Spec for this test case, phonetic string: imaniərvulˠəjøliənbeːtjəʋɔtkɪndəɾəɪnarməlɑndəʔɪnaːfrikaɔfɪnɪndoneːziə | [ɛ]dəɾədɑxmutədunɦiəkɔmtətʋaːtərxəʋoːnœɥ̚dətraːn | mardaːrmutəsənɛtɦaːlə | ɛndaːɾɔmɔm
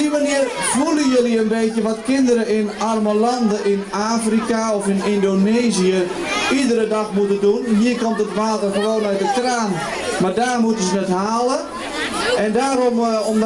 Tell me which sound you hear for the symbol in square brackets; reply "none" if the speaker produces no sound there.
i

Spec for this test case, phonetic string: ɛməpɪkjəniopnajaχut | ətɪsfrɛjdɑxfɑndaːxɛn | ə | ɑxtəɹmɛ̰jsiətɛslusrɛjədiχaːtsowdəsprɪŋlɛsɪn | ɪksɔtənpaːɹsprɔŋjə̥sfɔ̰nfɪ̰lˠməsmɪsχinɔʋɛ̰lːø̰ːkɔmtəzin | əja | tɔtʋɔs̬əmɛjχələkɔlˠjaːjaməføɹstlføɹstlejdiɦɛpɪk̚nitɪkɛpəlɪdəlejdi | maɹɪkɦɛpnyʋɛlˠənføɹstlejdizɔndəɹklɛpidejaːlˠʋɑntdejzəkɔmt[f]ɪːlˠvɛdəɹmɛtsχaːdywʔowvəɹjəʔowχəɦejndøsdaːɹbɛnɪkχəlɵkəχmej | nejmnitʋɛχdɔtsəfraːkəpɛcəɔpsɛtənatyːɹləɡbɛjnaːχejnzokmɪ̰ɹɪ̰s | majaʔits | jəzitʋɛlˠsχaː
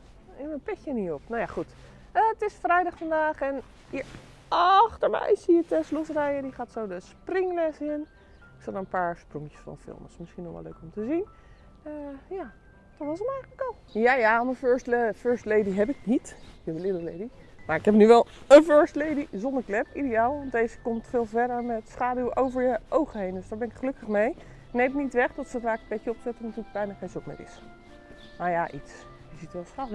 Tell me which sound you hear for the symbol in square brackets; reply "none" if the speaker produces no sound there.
f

